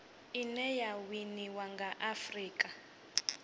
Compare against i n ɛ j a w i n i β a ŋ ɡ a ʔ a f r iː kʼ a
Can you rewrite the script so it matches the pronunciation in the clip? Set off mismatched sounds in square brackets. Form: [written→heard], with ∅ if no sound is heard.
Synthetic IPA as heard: i n ɛ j a w i n i [β→w] a ŋ ɡ a ʔ a f r iː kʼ a